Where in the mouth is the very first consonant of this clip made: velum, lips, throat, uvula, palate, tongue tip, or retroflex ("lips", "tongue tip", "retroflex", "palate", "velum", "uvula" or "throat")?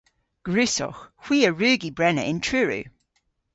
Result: velum